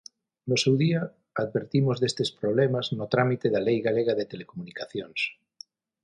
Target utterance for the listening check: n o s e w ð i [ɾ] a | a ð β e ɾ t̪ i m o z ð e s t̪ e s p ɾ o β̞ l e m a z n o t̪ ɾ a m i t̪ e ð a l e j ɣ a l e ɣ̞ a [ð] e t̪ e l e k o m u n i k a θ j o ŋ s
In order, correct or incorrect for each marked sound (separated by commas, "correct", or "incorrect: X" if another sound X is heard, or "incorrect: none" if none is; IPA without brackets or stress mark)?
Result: incorrect: none, correct